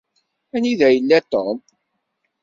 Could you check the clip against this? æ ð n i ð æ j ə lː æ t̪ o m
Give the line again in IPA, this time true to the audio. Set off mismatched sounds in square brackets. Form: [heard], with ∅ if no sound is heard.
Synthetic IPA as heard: æ [∅] n i ð æ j ə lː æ t̪ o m